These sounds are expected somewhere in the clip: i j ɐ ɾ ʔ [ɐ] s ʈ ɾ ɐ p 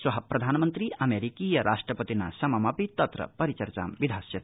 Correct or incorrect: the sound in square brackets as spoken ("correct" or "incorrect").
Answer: incorrect